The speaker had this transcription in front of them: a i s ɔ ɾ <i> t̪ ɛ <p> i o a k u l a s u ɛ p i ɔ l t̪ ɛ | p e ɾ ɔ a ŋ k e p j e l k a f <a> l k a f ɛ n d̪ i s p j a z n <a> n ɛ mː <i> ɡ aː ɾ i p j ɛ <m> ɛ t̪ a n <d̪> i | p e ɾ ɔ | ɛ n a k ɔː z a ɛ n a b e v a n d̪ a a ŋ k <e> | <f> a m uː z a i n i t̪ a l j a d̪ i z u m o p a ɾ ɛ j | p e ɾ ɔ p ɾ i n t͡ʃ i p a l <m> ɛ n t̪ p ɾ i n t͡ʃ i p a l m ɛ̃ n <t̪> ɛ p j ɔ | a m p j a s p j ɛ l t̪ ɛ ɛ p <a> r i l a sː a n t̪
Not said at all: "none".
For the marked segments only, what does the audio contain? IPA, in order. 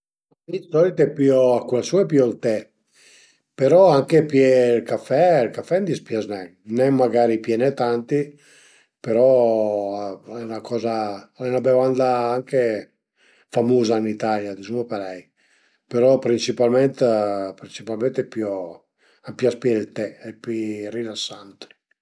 i, p, ɛ, ɛ, a, n, t̪, e, f, m, t̪, i

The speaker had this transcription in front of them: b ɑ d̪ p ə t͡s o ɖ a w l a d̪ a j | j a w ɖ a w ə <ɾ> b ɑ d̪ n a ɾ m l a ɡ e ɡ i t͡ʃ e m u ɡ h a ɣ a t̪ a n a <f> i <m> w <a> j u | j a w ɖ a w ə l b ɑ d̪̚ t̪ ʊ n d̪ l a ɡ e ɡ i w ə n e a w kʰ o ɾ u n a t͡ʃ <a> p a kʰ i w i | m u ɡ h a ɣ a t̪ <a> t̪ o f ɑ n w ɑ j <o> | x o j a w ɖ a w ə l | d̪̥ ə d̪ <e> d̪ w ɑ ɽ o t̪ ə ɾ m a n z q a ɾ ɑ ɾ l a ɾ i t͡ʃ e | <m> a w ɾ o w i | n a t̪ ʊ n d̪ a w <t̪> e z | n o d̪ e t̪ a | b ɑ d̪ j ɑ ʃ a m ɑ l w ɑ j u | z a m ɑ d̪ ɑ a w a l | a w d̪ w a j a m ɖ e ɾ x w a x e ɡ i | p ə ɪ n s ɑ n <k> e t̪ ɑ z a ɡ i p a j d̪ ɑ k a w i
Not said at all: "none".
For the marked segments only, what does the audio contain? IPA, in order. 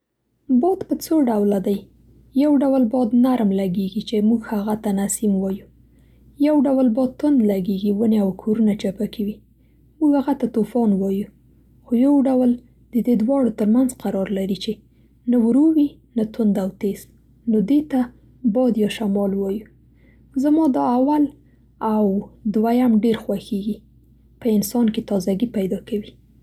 l, s, m, ɑ, a, a, u, e, n, t̪, k

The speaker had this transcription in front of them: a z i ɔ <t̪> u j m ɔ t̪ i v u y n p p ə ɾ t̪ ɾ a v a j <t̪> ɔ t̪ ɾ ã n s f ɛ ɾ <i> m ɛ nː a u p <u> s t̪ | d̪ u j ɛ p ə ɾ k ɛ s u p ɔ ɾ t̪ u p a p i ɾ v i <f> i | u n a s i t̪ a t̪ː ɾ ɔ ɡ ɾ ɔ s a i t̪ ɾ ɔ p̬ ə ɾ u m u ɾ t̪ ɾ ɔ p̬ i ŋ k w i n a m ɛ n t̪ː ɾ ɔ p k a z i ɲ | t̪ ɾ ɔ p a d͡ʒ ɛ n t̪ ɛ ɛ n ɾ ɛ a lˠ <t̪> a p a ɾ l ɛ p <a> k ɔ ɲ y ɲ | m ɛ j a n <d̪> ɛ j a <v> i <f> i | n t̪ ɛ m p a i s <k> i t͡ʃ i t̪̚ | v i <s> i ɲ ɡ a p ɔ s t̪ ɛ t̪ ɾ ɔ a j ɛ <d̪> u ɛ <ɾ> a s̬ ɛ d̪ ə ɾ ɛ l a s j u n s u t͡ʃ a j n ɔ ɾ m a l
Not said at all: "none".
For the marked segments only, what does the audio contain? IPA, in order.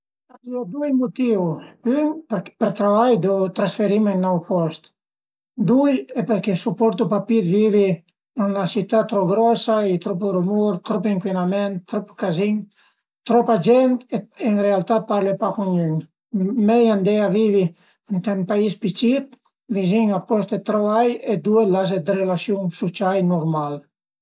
d̪, d̪, i, ɔ, v, t̪, a, d̪, v, v, p, z, d̪, l

